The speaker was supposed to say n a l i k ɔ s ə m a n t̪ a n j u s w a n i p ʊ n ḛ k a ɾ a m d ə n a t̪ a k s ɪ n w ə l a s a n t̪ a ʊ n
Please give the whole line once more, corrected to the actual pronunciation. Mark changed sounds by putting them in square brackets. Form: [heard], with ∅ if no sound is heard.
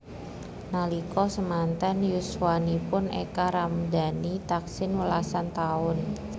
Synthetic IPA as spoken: n a l i k ɔ s ə m a n t̪ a n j u s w a n i p ʊ n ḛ k a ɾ a m d [a] n [i] t̪ a k s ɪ n w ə l a s a n t̪ a ʊ n